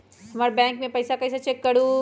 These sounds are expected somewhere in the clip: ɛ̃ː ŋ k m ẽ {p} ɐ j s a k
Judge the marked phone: correct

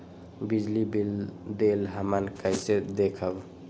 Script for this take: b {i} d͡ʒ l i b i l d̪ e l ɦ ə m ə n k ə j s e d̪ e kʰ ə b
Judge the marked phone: correct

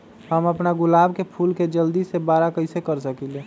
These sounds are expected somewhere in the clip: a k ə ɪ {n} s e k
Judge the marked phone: incorrect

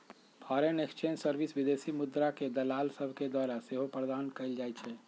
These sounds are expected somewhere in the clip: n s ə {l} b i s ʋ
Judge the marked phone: incorrect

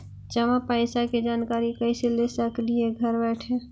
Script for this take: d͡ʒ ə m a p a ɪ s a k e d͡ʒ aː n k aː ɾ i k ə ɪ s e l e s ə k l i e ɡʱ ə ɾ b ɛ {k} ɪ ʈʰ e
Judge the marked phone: incorrect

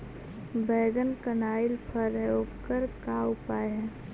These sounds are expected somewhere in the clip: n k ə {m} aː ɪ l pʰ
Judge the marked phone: incorrect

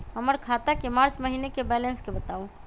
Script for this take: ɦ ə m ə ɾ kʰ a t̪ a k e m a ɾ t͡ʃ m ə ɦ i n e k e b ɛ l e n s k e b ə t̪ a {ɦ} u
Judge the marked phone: incorrect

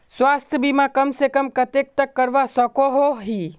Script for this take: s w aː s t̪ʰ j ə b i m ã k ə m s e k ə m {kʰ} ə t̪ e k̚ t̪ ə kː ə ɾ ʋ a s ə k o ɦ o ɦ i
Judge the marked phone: incorrect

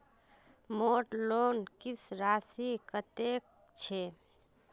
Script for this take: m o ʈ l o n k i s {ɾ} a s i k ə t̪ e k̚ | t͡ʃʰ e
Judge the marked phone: correct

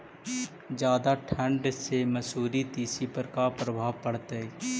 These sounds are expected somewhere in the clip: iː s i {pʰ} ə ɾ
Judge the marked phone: incorrect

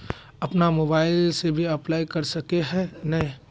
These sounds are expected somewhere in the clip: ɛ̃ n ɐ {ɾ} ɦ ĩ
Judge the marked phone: incorrect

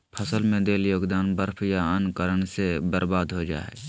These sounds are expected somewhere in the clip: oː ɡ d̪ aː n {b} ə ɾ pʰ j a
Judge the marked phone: correct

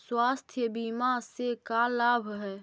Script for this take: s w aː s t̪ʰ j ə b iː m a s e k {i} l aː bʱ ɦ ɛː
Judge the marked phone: incorrect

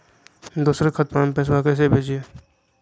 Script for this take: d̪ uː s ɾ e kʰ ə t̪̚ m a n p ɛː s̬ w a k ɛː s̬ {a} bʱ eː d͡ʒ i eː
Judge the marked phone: incorrect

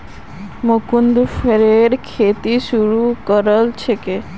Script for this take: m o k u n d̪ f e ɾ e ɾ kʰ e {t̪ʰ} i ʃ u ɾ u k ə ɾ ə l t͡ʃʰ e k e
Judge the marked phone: incorrect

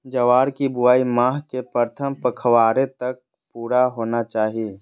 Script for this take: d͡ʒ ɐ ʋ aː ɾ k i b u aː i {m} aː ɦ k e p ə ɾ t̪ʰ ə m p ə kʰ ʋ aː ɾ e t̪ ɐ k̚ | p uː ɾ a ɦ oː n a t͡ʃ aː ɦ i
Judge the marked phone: correct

